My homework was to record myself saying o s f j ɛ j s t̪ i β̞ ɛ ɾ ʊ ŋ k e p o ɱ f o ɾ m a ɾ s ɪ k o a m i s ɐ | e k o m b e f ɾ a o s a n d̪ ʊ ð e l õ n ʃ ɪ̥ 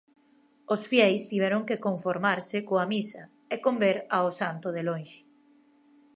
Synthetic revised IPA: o s f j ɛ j s t̪ i β̞ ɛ ɾ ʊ ŋ k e k o ɱ f o ɾ m a ɾ s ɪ k o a m i s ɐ | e k o m b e ɾ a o s a n t̪ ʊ ð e l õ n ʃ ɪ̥